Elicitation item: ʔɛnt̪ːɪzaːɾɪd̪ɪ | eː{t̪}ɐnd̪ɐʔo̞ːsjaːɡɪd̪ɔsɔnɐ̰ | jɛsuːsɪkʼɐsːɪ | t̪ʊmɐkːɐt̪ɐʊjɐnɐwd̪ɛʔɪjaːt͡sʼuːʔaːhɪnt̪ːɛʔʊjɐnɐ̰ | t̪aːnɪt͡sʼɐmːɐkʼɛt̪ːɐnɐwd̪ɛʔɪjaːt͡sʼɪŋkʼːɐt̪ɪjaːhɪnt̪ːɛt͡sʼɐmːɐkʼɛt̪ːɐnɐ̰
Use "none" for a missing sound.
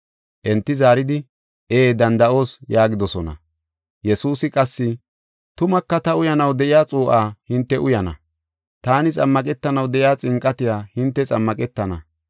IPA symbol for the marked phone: d̪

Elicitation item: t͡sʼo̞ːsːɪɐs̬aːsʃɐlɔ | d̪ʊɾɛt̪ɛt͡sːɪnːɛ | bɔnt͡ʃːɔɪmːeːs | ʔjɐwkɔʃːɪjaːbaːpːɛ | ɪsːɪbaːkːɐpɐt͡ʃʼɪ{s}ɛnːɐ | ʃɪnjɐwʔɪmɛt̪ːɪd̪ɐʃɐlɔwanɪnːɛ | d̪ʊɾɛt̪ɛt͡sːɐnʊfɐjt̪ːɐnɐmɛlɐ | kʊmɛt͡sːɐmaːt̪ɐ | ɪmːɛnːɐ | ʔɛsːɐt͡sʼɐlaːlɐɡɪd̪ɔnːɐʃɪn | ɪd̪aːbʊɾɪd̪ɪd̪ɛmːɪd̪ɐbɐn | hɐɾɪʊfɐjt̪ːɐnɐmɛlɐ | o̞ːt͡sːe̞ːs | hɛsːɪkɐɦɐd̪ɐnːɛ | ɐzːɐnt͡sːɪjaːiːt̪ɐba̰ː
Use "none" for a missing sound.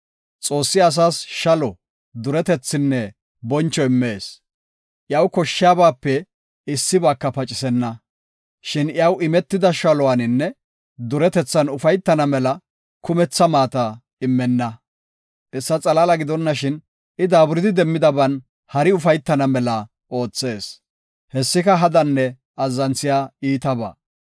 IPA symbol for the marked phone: s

